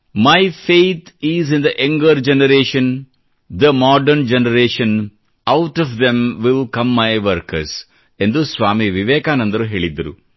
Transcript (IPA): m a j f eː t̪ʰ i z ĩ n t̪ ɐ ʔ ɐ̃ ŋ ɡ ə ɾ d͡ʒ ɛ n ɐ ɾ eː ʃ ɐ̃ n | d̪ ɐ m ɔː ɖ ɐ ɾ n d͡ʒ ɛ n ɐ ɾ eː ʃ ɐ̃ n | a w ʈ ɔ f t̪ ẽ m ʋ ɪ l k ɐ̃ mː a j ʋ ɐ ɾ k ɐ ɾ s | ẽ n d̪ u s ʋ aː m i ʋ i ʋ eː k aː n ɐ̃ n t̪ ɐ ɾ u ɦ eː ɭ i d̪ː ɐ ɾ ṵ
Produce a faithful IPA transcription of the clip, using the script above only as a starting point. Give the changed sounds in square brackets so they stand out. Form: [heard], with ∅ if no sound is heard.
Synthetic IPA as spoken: m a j f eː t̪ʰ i z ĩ n [d̪] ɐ ʔ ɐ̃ ŋ ɡ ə ɾ d͡ʒ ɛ n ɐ ɾ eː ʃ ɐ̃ n | d̪ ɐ m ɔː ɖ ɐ ɾ n d͡ʒ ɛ n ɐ ɾ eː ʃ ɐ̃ n | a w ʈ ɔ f [d̪] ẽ m ʋ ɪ l k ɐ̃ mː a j ʋ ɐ ɾ k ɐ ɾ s | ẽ n d̪ u s ʋ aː m i ʋ i ʋ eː k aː n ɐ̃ n [d̪] ɐ ɾ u ɦ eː ɭ i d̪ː ɐ ɾ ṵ